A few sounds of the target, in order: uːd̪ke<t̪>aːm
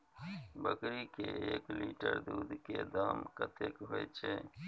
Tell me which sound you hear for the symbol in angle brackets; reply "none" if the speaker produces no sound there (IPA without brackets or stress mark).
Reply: d̪